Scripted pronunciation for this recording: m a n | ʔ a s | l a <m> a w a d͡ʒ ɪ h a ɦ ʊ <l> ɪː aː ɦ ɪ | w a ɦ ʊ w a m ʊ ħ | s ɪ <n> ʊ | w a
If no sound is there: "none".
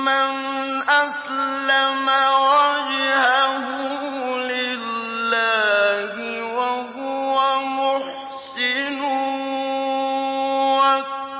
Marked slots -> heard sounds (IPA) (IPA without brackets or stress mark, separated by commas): m, l, n